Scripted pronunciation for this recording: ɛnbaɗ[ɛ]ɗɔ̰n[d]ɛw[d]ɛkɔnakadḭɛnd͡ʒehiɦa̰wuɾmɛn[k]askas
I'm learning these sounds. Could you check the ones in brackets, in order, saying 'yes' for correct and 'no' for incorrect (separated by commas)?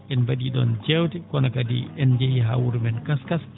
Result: no, no, no, yes